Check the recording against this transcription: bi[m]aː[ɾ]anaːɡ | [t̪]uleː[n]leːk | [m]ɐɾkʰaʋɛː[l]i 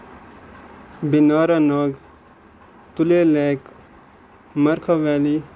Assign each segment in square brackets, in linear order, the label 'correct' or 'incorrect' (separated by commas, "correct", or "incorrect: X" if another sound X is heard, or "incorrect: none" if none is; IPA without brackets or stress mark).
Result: incorrect: n, correct, correct, incorrect: none, correct, correct